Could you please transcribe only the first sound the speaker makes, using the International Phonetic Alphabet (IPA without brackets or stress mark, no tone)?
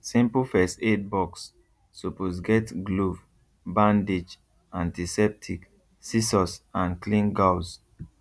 s